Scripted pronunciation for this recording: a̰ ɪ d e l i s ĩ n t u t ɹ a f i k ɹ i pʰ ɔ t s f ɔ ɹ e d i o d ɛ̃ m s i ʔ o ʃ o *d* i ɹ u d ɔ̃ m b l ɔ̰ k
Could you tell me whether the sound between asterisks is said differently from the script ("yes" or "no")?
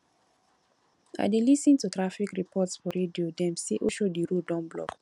no